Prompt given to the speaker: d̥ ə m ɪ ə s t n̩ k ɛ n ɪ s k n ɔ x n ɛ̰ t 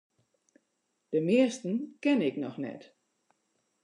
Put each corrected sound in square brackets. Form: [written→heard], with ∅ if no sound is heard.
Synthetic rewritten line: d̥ ə m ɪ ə s t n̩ k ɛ n ɪ [s→∅] k n ɔ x n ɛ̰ t